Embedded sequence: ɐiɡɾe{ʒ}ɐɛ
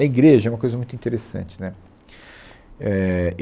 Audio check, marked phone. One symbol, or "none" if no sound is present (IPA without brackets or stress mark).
ʒ